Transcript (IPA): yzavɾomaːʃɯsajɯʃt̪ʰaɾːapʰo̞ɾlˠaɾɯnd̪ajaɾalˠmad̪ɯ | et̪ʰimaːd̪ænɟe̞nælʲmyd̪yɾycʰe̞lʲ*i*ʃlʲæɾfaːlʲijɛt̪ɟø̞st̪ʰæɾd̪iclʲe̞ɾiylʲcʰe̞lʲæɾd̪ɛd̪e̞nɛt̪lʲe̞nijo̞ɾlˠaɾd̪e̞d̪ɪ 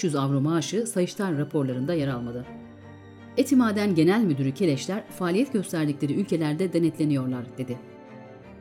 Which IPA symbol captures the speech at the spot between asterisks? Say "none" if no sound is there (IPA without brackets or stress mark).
ɛ